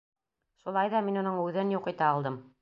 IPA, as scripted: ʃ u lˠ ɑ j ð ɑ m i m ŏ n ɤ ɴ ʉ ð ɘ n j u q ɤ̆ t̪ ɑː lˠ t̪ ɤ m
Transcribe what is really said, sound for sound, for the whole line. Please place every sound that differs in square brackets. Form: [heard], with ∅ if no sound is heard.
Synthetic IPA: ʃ u lˠ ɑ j ð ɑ m i [n] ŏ n ɤ ɴ ʉ ð ɘ n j u q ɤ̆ t̪ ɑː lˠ [d̪] ɤ m